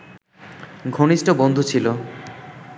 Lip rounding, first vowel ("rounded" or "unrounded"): rounded